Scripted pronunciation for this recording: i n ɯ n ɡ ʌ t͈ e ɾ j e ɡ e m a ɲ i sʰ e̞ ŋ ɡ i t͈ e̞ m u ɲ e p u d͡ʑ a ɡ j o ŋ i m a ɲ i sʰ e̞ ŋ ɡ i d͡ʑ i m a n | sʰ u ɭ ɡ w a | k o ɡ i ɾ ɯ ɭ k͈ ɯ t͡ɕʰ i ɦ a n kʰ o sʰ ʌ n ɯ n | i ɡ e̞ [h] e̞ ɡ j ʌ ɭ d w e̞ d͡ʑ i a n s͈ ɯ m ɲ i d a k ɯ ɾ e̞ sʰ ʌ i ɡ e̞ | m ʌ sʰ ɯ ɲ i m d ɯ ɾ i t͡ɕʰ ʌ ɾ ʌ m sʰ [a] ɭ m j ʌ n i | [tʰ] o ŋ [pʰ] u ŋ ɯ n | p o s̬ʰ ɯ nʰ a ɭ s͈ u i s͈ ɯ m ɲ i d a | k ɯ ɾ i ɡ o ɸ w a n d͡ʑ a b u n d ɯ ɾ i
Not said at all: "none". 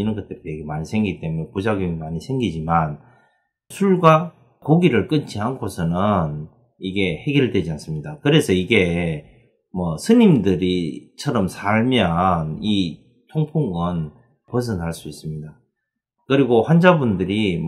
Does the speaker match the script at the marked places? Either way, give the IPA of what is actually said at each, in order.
h, a, tʰ, pʰ

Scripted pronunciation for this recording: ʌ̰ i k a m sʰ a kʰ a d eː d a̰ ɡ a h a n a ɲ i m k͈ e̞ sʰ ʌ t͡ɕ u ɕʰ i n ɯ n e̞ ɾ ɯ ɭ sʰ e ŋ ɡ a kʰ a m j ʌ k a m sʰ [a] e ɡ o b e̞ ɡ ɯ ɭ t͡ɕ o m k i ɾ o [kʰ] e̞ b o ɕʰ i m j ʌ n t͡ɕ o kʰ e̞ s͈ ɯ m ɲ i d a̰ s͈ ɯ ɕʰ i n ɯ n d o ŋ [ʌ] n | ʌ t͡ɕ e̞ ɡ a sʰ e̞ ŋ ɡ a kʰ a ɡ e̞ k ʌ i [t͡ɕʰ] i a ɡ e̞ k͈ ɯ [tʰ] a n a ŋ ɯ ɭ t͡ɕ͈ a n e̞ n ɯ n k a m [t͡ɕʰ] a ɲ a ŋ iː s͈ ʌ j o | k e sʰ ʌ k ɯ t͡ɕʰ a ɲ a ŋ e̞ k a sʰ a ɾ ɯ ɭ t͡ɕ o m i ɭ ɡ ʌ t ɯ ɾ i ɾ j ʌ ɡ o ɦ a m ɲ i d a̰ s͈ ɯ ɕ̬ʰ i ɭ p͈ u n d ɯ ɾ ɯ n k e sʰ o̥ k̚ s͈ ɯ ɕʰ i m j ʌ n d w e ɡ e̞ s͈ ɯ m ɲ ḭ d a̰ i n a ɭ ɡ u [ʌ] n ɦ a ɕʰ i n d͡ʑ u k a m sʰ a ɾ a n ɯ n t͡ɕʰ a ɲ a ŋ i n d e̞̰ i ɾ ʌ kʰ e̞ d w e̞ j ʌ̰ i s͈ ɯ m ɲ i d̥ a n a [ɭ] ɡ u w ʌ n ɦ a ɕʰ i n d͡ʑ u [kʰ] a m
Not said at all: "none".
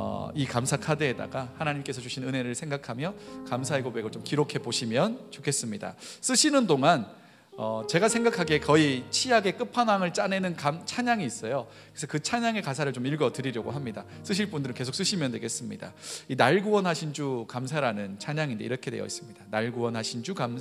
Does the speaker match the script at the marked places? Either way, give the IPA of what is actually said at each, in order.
a, kʰ, a, t͡ɕʰ, pʰ, t͡ɕʰ, ʌ, ɭ, k

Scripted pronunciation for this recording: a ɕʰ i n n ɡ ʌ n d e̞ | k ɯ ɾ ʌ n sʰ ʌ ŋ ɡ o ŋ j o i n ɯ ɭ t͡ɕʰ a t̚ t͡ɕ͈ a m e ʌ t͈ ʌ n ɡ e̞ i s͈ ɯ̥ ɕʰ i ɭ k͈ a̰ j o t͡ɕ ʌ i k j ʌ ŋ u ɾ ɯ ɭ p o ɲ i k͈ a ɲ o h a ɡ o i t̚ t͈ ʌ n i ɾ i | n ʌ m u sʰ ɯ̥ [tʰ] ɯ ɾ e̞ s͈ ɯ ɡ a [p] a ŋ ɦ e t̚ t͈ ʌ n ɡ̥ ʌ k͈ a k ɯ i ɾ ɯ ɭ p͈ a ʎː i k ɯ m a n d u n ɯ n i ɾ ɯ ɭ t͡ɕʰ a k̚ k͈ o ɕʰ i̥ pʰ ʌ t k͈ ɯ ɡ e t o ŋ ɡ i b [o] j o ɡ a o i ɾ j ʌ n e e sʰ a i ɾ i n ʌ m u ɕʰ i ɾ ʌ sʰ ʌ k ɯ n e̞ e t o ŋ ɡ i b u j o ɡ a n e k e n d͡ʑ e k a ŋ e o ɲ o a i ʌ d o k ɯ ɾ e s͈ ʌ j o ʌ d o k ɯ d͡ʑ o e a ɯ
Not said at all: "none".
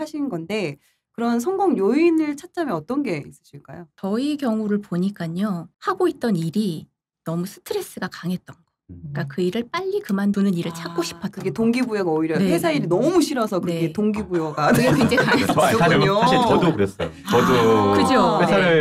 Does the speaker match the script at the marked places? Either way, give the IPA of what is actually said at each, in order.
tʰ, k, u

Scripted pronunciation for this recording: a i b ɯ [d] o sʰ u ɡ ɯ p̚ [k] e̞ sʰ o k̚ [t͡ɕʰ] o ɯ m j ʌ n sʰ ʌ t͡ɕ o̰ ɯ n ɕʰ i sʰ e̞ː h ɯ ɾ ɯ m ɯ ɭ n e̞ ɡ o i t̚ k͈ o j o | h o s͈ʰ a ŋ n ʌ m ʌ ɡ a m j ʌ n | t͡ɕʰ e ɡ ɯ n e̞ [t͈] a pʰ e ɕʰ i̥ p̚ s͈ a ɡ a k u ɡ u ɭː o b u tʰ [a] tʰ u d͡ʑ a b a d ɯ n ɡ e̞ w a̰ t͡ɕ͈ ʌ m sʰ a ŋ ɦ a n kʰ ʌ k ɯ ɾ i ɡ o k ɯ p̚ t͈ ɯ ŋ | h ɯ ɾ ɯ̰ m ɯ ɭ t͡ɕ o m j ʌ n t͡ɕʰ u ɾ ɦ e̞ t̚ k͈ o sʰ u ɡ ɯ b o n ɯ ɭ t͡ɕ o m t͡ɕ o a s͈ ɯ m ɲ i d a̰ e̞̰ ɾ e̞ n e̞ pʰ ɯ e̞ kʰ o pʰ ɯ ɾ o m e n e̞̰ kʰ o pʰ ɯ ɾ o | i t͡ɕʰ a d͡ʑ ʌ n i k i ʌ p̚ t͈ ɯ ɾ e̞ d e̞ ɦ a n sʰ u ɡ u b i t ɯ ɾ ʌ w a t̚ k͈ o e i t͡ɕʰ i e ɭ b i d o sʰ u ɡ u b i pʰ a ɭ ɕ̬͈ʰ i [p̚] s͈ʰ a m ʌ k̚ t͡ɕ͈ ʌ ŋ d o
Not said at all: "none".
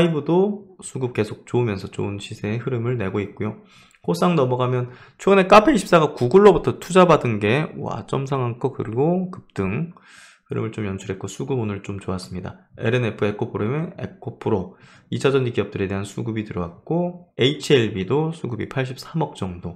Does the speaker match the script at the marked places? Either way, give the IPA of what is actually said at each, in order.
d, k, t͡ɕ, k͈, ʌ, p̚

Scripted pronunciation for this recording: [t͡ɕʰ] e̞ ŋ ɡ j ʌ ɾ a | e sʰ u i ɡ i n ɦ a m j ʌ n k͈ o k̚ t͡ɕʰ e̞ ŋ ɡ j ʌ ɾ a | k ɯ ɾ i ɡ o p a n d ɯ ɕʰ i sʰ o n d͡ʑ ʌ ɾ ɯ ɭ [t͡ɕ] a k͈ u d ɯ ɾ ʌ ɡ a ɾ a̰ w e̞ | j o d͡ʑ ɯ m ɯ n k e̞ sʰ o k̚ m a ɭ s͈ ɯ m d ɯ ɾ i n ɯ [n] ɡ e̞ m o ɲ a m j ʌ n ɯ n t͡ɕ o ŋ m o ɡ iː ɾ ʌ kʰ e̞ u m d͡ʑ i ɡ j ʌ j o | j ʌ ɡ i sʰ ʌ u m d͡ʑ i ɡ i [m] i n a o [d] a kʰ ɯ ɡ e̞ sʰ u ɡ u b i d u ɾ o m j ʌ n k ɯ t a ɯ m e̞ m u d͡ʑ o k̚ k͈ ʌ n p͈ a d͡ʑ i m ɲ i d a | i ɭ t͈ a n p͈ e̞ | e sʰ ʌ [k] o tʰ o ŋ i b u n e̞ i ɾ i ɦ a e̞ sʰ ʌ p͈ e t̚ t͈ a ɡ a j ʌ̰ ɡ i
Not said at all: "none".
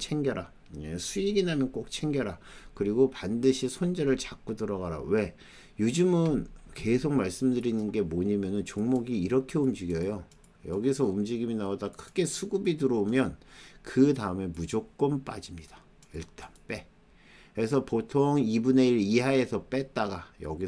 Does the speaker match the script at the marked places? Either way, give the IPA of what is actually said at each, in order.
t͡ɕʰ, t͡ɕ, n, m, d, p

